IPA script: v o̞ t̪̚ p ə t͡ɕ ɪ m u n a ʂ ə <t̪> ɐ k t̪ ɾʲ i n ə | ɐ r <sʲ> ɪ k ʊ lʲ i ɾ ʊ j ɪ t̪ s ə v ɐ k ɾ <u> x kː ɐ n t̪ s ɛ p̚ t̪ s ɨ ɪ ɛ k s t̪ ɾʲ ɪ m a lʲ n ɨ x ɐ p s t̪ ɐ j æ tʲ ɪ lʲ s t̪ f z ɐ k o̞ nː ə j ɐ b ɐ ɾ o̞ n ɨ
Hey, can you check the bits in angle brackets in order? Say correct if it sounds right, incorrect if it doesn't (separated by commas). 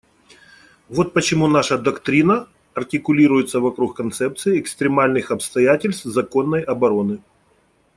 incorrect, incorrect, correct